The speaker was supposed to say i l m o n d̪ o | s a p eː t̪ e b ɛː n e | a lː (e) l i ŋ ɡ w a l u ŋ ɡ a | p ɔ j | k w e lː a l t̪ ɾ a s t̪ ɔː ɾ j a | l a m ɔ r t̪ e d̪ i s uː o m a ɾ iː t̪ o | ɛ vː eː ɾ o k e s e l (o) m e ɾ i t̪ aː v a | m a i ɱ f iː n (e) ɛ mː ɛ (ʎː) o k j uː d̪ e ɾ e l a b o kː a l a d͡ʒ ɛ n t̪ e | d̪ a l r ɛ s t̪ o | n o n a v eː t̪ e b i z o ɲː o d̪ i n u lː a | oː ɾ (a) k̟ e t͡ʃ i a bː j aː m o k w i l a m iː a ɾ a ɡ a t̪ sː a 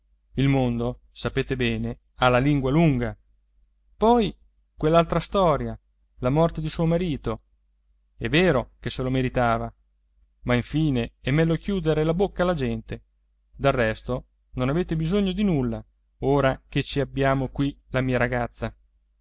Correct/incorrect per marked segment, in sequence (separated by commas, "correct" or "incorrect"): incorrect, correct, correct, incorrect, correct